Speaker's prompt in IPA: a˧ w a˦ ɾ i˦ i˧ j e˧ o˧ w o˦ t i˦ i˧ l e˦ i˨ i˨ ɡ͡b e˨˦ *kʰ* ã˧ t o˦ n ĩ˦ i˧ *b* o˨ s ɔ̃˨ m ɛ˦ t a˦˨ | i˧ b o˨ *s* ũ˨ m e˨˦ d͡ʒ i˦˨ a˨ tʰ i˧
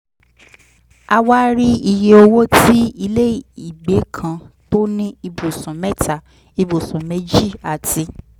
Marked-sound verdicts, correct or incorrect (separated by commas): correct, correct, correct